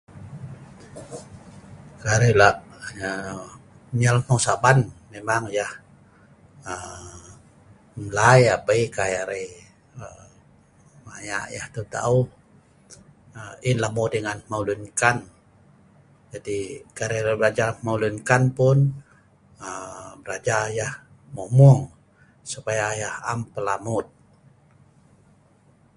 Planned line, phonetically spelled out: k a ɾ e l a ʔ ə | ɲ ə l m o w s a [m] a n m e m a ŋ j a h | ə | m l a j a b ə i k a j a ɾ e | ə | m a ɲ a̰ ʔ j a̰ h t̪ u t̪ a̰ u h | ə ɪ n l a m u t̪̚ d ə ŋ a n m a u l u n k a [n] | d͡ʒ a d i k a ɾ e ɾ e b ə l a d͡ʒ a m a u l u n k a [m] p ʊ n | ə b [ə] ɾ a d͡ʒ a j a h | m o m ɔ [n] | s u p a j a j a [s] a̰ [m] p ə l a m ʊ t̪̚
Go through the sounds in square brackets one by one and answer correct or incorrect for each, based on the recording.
incorrect: b, correct, incorrect: n, correct, incorrect: ŋ, incorrect: h, correct

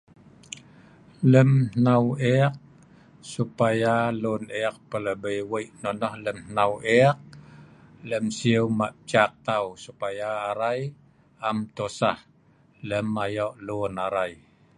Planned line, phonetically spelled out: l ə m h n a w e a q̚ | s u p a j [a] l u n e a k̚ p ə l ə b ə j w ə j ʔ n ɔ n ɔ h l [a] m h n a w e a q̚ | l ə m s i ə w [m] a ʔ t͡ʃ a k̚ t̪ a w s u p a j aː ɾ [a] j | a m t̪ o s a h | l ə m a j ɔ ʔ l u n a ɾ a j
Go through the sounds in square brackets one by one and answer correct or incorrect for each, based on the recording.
correct, incorrect: ə, correct, correct

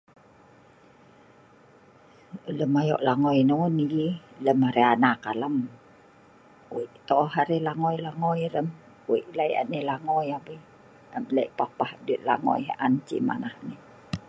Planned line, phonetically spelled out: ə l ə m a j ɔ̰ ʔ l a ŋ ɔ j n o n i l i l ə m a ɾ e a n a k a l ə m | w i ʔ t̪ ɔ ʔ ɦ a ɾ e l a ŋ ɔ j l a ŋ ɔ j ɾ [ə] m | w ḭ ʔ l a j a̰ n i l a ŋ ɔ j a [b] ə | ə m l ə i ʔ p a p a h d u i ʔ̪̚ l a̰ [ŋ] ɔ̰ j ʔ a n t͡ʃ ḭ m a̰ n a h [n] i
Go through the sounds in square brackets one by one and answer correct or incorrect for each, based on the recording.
correct, correct, correct, correct

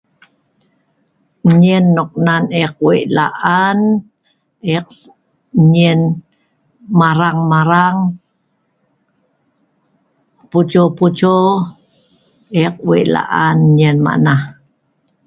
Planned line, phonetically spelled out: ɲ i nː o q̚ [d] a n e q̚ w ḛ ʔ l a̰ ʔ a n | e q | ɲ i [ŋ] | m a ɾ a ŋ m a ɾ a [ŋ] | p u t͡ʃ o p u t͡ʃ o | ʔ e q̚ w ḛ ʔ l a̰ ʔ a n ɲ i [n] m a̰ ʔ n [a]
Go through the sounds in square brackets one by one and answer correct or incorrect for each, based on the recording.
incorrect: n, incorrect: n, correct, correct, correct

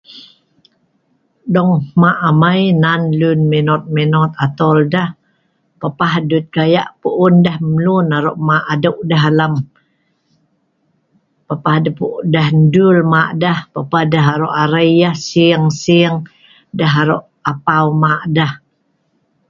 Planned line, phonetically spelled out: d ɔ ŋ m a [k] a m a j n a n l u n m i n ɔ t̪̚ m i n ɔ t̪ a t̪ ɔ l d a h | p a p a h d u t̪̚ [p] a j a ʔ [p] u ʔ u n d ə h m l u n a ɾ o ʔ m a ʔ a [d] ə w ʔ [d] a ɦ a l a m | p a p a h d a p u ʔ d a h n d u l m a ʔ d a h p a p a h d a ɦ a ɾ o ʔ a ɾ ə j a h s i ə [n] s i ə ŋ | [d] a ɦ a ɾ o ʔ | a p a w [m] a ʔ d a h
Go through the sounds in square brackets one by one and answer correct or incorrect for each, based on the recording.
incorrect: ʔ, incorrect: k, correct, correct, correct, incorrect: ŋ, correct, correct

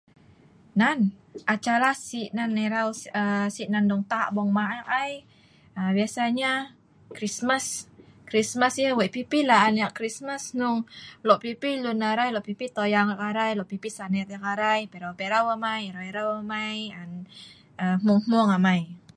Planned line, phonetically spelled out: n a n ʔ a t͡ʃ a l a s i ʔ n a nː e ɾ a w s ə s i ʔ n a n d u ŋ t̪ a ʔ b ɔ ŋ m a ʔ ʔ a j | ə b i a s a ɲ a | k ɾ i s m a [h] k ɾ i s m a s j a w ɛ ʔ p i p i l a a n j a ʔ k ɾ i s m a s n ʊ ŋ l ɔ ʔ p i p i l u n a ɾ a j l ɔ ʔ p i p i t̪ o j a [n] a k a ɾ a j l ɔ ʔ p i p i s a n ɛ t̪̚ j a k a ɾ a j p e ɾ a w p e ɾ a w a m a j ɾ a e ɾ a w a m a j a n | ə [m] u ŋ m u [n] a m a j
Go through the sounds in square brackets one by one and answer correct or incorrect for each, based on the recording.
incorrect: s, incorrect: ŋ, correct, incorrect: ŋ

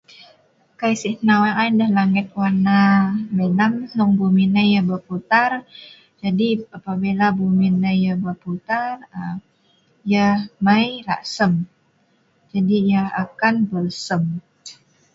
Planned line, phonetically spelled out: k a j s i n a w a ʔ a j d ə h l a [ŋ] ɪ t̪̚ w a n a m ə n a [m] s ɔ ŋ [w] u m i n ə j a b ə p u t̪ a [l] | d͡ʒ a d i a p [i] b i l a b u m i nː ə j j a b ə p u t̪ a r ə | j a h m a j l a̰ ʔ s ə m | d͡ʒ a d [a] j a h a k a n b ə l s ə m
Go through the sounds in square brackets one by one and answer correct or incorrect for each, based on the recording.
correct, correct, incorrect: b, incorrect: r, incorrect: a, incorrect: i

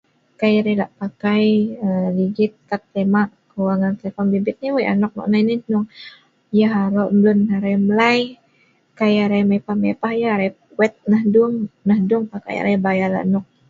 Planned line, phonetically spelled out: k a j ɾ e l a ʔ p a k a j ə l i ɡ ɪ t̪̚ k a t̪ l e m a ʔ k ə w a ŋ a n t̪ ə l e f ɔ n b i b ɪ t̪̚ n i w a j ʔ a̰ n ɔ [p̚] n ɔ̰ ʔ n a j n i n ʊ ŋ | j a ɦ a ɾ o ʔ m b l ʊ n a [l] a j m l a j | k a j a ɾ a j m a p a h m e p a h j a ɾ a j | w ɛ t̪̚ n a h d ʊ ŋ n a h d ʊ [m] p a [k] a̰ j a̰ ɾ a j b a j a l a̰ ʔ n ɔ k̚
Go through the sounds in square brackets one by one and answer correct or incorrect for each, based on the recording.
incorrect: k̚, incorrect: ɾ, incorrect: ŋ, correct

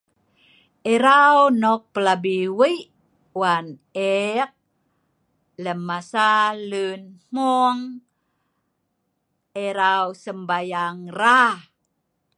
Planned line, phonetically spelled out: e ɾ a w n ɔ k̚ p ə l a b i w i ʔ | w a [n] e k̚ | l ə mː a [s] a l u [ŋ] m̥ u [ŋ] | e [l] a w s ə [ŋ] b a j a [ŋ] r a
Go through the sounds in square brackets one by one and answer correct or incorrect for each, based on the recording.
correct, correct, incorrect: n, correct, incorrect: ɾ, incorrect: m, correct

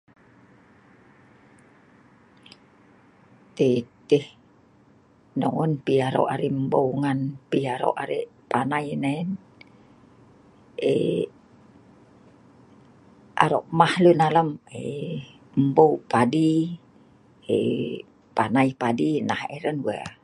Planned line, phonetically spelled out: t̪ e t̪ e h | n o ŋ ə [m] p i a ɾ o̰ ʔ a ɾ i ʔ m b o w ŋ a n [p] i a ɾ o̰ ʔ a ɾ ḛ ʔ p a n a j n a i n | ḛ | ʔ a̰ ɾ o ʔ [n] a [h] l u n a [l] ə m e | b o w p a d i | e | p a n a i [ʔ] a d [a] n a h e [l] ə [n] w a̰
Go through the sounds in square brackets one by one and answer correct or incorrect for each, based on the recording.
incorrect: n, correct, incorrect: m, correct, correct, incorrect: p, incorrect: i, incorrect: ɾ, correct

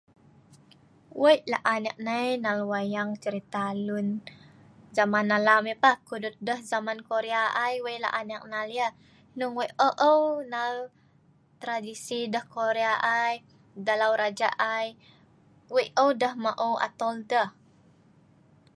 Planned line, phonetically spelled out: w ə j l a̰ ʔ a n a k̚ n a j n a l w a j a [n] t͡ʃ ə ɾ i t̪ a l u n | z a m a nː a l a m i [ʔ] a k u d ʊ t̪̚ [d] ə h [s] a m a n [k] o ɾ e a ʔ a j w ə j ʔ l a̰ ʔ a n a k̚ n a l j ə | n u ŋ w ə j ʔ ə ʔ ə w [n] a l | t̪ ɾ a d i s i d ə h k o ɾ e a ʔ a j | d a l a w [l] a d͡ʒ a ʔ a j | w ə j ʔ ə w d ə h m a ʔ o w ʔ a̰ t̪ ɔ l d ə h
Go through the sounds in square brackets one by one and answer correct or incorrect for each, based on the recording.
incorrect: ŋ, incorrect: p, correct, incorrect: z, correct, correct, incorrect: ɾ

